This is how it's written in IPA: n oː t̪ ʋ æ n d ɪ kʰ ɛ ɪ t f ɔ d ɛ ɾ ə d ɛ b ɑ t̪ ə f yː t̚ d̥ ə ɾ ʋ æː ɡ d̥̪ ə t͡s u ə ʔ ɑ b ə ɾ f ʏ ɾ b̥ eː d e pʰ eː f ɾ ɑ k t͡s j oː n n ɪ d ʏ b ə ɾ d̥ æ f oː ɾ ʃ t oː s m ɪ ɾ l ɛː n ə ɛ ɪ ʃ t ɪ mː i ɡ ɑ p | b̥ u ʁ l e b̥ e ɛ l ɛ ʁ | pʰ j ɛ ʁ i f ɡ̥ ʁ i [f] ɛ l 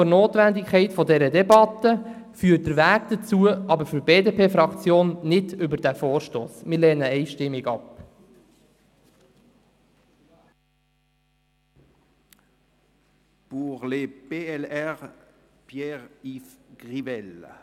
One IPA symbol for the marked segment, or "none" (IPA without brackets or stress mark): v